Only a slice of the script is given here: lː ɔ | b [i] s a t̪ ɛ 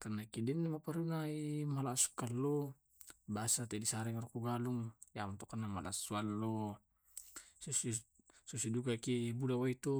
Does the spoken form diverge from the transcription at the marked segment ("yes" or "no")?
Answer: yes